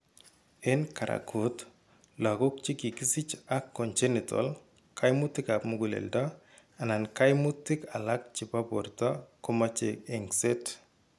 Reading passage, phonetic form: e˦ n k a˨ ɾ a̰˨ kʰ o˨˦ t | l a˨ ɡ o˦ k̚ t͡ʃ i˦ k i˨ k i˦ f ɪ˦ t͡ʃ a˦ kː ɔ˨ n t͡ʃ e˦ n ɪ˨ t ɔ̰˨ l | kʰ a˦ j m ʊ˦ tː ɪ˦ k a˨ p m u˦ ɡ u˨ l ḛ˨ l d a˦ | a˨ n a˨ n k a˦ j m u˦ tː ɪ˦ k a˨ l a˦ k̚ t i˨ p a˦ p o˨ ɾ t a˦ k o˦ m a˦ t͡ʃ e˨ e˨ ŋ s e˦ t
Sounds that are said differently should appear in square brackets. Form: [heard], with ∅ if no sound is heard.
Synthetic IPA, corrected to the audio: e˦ n k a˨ ɾ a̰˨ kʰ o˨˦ t | l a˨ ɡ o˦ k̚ t͡ʃ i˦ k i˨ k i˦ [s] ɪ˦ t͡ʃ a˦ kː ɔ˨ n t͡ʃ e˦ n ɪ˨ t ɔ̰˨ l | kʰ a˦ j m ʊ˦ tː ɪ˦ k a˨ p m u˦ ɡ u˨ l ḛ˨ l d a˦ | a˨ n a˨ n k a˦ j m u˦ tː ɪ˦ k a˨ l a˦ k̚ [t͡ʃ] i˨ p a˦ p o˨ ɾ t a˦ k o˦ m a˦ t͡ʃ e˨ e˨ ŋ s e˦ t

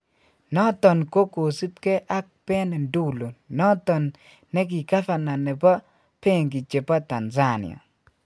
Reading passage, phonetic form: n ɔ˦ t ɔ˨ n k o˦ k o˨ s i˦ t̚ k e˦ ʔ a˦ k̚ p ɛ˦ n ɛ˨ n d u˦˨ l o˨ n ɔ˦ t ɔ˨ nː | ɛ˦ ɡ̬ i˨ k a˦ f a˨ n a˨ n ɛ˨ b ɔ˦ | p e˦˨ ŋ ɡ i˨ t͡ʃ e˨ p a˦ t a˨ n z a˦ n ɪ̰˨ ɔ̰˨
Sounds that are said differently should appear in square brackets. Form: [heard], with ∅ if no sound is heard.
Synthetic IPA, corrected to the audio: n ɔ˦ t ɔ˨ n k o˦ k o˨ s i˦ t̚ k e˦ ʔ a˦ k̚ p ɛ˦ n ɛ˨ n d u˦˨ l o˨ n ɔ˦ t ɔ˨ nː | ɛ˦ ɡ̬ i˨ k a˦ f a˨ n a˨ n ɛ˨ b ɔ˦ | p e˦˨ ŋ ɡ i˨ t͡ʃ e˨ p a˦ t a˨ n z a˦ n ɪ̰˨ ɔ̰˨

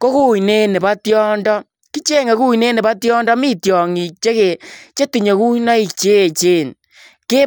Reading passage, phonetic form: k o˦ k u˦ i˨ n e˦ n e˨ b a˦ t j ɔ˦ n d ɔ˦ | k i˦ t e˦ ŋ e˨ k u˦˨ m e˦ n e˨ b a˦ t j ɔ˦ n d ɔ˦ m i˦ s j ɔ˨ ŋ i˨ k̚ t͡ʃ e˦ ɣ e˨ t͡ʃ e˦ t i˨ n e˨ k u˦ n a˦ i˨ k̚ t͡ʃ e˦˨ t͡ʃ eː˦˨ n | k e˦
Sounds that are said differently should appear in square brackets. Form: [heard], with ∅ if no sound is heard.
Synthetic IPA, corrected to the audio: k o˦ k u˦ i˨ n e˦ n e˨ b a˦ t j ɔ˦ n d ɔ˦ | k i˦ [t͡ʃ] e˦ ŋ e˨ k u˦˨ [n] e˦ n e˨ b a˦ t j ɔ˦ n d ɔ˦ m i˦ [t] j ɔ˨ ŋ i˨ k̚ t͡ʃ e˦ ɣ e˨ t͡ʃ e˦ t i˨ [ɲ] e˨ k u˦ n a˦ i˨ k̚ t͡ʃ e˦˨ t͡ʃ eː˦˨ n | k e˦

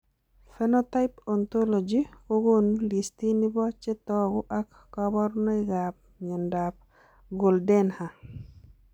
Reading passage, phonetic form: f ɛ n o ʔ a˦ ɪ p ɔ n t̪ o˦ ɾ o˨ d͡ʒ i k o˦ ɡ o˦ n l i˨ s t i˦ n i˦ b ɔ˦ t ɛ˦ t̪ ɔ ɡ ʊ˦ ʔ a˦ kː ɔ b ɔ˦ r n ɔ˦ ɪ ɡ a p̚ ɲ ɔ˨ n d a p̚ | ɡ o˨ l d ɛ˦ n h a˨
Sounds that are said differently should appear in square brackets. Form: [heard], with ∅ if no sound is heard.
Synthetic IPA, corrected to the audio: f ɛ n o [t] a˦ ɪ p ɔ n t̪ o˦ [l] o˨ d͡ʒ i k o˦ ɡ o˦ n l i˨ s t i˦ n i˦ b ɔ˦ [t͡ʃ] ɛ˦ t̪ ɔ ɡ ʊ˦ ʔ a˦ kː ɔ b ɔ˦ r n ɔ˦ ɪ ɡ a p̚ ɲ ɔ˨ n d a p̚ | ɡ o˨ l d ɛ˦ n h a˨

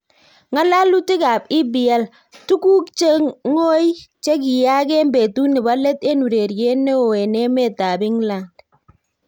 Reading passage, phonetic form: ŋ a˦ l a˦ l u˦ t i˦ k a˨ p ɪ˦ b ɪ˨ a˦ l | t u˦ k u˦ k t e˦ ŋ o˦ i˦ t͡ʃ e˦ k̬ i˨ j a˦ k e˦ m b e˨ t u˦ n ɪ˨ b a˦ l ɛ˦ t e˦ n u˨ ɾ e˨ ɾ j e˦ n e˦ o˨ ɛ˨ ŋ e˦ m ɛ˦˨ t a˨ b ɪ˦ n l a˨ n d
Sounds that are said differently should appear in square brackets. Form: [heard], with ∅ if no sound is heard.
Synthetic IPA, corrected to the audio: ŋ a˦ l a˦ l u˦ t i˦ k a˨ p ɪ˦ b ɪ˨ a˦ l | t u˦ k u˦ k [t͡ʃ] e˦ ŋ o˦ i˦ t͡ʃ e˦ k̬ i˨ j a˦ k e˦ m b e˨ t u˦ n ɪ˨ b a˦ l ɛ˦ t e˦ n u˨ ɾ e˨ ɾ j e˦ n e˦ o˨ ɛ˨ [n] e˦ m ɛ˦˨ t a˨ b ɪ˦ [ŋ] l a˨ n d

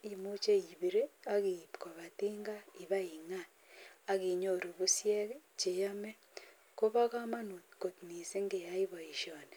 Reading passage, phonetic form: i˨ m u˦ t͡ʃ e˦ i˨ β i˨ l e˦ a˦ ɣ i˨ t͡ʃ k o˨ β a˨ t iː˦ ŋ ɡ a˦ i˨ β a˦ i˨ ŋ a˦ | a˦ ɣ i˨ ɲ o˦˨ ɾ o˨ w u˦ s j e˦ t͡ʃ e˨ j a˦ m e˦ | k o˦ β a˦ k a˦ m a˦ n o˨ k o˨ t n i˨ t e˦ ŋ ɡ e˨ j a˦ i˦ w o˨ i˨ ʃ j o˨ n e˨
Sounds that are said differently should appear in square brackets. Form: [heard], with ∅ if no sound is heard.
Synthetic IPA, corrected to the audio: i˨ m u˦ t͡ʃ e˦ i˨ β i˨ [ɾ] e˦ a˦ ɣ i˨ [∅] k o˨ β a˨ t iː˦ ŋ ɡ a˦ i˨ β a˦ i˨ ŋ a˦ | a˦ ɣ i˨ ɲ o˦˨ ɾ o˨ [β] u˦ s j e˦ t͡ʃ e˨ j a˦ m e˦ | k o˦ β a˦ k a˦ m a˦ n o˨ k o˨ t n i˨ [s] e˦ ŋ ɡ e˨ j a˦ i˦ [β] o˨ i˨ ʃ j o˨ n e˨

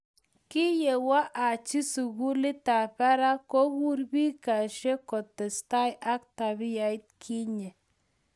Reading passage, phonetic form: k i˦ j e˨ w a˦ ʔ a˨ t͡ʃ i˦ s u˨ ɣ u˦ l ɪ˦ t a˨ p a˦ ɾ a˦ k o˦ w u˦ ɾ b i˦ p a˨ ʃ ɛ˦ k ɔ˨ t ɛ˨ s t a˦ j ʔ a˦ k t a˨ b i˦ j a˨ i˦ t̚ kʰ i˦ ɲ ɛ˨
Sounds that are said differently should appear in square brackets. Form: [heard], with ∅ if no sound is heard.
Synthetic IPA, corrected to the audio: k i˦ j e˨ w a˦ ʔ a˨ t͡ʃ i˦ s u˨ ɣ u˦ l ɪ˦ t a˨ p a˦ ɾ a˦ k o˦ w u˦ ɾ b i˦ [k] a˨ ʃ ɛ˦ k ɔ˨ t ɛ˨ s t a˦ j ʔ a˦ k t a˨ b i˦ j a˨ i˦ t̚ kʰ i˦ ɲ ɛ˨

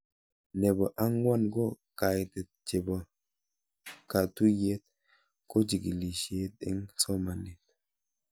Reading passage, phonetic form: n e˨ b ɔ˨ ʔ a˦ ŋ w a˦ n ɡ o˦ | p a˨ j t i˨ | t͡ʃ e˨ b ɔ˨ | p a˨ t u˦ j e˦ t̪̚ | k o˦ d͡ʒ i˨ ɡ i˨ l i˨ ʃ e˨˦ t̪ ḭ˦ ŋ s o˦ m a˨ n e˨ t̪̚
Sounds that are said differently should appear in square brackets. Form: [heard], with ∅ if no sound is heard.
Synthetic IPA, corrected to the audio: n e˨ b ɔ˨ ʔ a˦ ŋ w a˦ n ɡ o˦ | [k] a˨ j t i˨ | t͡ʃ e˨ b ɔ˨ | [k] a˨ t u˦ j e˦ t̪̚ | k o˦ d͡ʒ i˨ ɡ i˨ l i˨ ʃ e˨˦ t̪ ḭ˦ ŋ s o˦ m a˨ n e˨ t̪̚

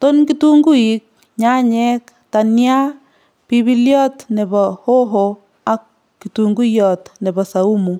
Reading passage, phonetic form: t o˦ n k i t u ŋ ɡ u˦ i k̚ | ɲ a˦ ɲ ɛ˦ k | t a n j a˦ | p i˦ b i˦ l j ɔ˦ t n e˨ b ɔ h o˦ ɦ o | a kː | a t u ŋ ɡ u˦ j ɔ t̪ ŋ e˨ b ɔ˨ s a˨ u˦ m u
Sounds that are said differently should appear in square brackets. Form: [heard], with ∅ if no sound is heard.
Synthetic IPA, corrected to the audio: t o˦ n k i t u ŋ ɡ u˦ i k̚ | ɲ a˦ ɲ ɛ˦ k | t a n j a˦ | p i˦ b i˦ l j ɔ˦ t n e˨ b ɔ h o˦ ɦ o | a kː | [i] t u ŋ ɡ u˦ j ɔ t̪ [n] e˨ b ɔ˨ s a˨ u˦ m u

